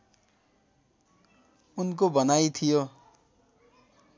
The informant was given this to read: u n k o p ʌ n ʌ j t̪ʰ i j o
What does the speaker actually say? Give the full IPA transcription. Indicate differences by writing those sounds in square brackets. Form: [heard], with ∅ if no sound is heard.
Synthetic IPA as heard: u n k o [b] ʌ n [a] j t̪ʰ i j o